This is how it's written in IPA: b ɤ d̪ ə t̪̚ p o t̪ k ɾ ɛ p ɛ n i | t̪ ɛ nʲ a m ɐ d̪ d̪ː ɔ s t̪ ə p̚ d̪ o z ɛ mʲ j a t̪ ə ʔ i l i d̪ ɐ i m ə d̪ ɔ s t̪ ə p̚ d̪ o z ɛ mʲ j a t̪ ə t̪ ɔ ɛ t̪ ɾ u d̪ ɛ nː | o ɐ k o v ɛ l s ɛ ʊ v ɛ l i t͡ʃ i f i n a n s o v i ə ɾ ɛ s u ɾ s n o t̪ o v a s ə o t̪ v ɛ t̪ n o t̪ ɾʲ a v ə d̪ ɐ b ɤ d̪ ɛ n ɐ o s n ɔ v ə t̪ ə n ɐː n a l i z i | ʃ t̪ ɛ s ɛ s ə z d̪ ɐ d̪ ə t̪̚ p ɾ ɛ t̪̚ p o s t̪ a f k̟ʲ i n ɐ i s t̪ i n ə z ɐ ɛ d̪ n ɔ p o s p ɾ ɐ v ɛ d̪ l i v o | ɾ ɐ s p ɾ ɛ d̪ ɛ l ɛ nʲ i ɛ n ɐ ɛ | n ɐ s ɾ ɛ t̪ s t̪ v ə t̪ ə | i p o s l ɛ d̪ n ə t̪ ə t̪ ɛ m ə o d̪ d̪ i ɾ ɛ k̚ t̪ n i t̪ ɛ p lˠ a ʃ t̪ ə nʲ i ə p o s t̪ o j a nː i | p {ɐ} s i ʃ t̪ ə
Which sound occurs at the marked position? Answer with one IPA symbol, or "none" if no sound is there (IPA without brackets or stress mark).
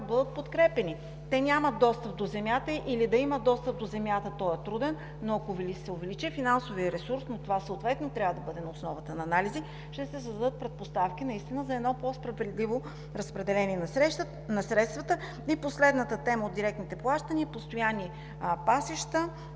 a